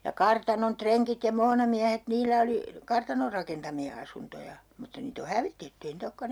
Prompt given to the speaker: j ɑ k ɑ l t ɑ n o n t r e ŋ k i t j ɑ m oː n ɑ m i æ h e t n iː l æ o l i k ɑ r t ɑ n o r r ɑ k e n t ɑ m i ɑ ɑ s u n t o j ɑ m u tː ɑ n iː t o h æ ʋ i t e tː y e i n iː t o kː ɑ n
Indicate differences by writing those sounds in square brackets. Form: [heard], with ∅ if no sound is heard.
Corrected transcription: j ɑ k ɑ [r] t ɑ n o n t r e ŋ k i t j ɑ m oː n ɑ m i æ h e t n iː l æ o l i k ɑ r t ɑ n o r r ɑ k e n t ɑ m i ɑ ɑ s u n t o j ɑ m u tː ɑ n iː t o h æ ʋ i t e tː y e i n iː t o kː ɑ n

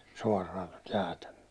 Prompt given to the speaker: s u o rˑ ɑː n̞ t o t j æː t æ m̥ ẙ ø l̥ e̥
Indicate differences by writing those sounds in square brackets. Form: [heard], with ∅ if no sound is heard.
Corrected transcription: s u [ɒ] rˑ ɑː n̞ t o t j æː t æ m̥ ẙ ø l̥ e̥

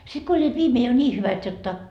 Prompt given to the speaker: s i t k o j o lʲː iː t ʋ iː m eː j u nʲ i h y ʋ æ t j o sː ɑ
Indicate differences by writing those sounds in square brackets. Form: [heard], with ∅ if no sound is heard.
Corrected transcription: s i t k o [∅] o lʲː iː t ʋ iː m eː j [o] nʲ [iː] h y ʋ æ t j o [tː] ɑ

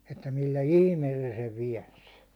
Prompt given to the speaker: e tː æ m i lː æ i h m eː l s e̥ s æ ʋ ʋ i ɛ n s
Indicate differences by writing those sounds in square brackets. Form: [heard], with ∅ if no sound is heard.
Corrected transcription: e tː æ m i lː æ i h m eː l s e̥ s [e] ʋ ʋ i ɛ n s

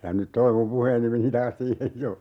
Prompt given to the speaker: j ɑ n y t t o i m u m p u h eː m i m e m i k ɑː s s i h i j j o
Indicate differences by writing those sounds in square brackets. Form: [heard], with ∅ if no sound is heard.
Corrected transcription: j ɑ n y t t o i m u m p u h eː [n] i m e [n] i [t] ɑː s s [iː] h [e] j j o

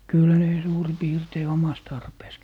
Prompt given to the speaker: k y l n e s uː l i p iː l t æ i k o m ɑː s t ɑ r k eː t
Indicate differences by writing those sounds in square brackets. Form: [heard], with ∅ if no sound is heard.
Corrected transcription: k y l n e s uː [r] i p iː [r] t [e] i [∅] o m [ɑ] s t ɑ r [p] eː [s]

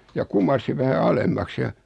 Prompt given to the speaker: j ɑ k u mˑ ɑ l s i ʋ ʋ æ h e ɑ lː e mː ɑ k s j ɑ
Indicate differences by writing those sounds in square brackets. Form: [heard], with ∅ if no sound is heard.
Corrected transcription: j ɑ k u mˑ ɑ [r] s i ʋ ʋ æ h [æ] ɑ [l] e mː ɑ k s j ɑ

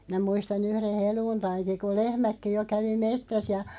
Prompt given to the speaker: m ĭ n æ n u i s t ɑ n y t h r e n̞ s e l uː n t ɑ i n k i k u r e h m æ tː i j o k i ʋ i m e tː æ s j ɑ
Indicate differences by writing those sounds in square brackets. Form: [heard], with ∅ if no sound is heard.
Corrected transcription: m ĭ n æ [m] u i s t ɑ n y [∅] h r e n̞ [h] e l uː n t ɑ i n k i k u [l] e h m æ [kː] i j o k [æ] ʋ i m e tː æ s j ɑ

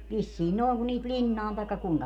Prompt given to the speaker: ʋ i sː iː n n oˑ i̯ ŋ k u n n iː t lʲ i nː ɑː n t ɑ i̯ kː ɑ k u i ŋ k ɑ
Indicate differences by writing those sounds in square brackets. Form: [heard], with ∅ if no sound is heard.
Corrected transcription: ʋ i sː iː n n oˑ i̯ ŋ k u n n iː t lʲ i nː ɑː n t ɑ i̯ kː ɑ k u i ŋ k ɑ

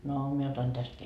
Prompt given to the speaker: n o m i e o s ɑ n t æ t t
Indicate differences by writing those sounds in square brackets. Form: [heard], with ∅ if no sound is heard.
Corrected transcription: n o m i e o [t] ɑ n t æ [s] t

